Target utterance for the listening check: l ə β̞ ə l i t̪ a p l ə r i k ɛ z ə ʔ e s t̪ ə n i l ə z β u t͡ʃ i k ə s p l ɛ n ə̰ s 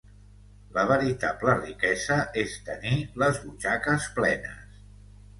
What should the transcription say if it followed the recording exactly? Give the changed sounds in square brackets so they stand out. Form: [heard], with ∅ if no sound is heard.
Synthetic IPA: l ə β̞ ə [ɾ] i t̪ a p l ə r i k ɛ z ə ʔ e s t̪ ə n i l ə z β u t͡ʃ [a] k ə s p l ɛ n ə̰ s